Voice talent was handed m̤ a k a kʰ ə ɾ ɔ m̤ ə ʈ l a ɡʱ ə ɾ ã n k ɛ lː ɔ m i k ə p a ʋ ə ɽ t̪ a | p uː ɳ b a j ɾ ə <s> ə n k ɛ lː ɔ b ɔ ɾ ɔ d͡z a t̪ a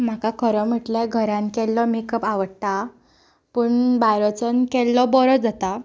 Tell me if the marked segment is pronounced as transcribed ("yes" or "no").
no